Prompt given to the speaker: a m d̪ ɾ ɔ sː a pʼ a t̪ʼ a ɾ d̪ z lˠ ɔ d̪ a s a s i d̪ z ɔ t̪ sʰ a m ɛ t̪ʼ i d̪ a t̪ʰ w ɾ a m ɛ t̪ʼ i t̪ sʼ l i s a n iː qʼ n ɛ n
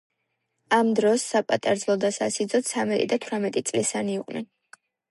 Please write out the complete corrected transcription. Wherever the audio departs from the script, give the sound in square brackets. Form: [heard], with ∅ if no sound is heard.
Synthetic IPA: a m d̪ ɾ ɔ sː a pʼ a t̪ʼ a ɾ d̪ z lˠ ɔ d̪ a s a s i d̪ z ɔ t̪ sʰ a m ɛ t̪ʼ i d̪ a t̪ʰ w ɾ a m ɛ t̪ʼ i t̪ sʼ l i s a n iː qʼ n ɛ n